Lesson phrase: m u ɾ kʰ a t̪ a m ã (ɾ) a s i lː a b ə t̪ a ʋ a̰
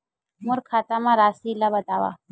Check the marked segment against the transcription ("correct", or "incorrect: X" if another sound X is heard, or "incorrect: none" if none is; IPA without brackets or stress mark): correct